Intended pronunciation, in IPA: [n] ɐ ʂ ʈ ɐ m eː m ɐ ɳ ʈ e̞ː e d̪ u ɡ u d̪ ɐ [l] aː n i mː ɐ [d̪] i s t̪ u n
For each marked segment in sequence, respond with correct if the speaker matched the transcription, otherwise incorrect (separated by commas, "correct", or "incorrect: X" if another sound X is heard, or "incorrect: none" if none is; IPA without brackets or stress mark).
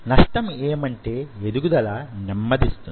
correct, correct, correct